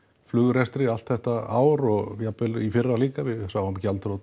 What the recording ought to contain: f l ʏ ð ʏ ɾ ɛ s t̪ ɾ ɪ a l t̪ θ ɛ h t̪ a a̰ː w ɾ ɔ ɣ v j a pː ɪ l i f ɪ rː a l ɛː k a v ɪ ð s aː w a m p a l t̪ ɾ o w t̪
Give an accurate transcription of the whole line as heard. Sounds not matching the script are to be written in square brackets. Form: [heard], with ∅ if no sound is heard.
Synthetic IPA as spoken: f l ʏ [ɣ] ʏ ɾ ɛ s t̪ ɾ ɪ a l t̪ θ ɛ h t̪ a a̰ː w ɾ ɔ ɣ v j a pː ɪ l i f ɪ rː a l [iː] k a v ɪ ð s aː w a m [c] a l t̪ ɾ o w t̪